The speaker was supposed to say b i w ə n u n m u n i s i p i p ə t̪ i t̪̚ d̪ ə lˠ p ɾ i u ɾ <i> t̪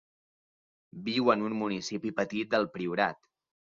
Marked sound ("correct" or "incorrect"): incorrect